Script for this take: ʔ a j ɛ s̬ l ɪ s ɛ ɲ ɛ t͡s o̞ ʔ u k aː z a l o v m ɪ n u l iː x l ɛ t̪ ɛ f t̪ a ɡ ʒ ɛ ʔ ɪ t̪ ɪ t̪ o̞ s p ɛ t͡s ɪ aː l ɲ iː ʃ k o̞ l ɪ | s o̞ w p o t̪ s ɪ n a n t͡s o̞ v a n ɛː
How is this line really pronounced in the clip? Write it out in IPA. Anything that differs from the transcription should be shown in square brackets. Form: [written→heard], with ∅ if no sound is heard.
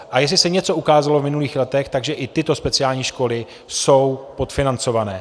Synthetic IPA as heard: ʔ a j ɛ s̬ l ɪ s ɛ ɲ ɛ t͡s o̞ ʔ u k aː z a l o v m ɪ n u l iː x l ɛ t̪ ɛ [f→x] t̪ a ɡ ʒ ɛ ʔ ɪ t̪ ɪ t̪ o̞ s p ɛ t͡s ɪ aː l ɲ iː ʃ k o̞ l ɪ | s o̞ w p o t̪ [s→f] ɪ n a n t͡s o̞ v a n ɛː